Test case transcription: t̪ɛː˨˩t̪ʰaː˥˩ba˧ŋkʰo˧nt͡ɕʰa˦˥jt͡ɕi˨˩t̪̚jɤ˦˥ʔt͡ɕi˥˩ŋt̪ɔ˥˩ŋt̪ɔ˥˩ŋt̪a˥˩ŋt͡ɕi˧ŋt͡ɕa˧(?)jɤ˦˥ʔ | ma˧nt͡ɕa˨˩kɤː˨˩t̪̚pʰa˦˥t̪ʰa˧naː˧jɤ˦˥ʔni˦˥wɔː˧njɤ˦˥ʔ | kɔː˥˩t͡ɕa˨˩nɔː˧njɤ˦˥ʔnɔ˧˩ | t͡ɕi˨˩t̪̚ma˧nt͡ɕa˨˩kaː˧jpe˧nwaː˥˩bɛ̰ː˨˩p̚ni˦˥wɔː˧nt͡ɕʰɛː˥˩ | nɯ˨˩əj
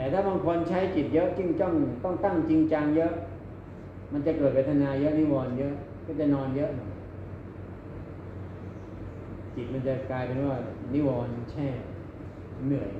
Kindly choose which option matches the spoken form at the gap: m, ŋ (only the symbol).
ŋ